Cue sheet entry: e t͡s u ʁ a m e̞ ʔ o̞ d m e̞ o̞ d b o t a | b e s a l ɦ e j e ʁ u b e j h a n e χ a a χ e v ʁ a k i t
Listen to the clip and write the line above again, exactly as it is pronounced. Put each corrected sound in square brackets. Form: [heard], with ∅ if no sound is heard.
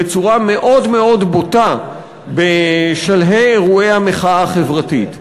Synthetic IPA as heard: e t͡s u ʁ a m e̞ ʔ o̞ d m e̞ o̞ d b o t a | b e [ʃ] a l ɦ e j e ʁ u [∅] e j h a [m] e χ a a χ e v ʁ a [t] i t